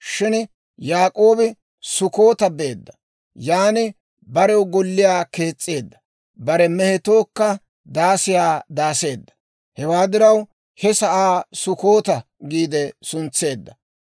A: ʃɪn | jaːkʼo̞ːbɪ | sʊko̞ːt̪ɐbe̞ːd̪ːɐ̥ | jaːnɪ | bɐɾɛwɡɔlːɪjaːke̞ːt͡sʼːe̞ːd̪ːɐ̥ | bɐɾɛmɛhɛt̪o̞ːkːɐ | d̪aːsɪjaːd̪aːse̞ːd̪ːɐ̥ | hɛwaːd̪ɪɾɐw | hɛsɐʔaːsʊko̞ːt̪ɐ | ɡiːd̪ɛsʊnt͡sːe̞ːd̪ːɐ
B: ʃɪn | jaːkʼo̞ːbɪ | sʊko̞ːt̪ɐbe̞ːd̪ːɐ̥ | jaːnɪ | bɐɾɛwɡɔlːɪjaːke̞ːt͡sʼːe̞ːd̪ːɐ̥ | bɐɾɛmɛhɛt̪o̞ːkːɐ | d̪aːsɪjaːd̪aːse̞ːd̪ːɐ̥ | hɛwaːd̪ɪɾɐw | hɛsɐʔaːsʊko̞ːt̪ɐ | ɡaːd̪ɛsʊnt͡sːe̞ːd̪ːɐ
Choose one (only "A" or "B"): A